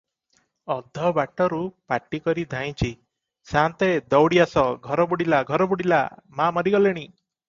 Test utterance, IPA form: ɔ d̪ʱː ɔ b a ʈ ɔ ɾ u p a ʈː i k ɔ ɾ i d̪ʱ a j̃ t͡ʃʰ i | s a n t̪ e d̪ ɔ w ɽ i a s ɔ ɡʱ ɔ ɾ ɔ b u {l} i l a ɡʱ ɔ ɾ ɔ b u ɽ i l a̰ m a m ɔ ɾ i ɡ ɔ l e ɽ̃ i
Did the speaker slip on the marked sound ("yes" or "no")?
yes